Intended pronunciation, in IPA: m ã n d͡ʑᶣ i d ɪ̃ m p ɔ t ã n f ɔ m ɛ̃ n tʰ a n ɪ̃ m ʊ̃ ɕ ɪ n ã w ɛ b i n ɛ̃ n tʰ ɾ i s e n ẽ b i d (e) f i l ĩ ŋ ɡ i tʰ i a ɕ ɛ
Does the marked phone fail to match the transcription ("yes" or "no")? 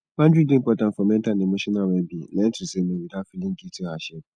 yes